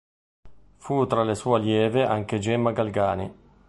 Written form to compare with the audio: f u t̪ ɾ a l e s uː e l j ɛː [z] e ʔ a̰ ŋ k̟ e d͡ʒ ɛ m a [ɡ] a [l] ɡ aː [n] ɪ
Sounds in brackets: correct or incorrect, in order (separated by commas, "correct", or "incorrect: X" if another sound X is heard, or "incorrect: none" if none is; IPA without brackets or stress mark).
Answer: incorrect: v, correct, correct, correct